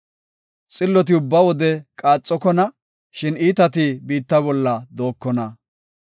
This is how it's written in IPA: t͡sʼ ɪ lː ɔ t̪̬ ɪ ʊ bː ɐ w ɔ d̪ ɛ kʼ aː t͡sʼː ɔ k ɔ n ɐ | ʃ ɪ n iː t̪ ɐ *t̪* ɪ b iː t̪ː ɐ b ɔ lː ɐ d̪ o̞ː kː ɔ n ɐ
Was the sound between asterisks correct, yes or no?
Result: yes